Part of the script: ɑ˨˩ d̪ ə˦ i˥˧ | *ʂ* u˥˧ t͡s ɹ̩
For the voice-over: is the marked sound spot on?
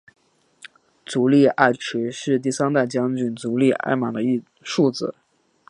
yes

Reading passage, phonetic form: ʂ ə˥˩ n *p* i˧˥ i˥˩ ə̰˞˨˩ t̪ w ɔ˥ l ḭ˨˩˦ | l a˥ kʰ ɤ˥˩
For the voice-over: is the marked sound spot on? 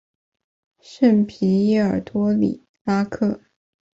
no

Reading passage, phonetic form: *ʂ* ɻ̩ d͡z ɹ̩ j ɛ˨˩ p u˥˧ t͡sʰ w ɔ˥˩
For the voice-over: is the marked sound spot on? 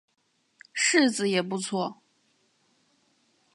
yes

